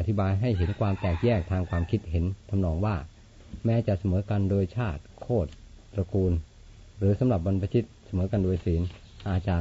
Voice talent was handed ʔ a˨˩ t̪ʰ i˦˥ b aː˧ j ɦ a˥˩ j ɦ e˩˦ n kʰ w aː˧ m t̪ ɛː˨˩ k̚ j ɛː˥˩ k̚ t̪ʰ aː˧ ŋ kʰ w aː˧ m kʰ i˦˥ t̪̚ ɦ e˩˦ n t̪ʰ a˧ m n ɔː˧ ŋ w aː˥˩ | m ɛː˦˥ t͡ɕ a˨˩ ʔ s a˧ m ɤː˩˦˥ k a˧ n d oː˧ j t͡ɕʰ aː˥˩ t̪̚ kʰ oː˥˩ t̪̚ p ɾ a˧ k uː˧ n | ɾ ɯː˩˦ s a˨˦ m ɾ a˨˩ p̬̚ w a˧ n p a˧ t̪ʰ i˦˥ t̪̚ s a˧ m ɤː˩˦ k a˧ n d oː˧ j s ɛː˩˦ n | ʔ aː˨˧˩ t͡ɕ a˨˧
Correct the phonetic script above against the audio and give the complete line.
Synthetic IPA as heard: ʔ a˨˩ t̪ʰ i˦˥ b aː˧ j ɦ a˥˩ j ɦ e˩˦ n kʰ w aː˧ m t̪ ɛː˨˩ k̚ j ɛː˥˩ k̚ t̪ʰ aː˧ ŋ kʰ w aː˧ m kʰ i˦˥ t̪̚ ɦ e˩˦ n t̪ʰ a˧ m n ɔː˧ ŋ w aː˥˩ | m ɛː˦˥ t͡ɕ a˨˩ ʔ s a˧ m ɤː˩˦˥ k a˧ n d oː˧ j t͡ɕʰ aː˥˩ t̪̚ kʰ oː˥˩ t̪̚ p ɾ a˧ k uː˧ n | ɾ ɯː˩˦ s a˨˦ m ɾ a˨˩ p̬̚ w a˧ n p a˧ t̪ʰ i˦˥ t̪̚ s a˧ m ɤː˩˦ k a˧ n d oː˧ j s iː˩˦ n | ʔ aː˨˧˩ t͡ɕ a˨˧